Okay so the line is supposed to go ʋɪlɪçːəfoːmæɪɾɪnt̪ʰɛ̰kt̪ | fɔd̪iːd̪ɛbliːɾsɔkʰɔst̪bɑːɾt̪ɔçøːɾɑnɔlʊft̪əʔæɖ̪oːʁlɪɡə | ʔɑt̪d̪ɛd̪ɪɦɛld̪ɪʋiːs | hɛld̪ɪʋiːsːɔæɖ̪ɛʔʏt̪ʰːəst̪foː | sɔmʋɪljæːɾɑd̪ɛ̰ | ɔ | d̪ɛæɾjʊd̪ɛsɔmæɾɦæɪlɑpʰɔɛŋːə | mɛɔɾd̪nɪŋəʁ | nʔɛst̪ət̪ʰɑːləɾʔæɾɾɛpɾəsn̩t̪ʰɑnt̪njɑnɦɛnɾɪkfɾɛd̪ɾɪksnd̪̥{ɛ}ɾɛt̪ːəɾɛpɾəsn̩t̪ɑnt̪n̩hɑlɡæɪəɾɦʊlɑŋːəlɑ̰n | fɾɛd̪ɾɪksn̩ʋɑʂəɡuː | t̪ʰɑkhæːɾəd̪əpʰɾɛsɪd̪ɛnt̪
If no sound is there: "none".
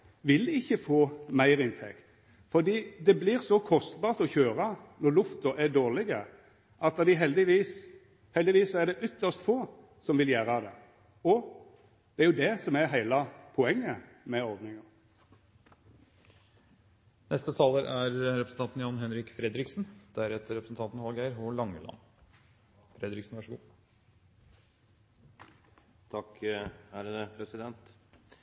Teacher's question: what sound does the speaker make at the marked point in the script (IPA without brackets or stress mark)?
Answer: æ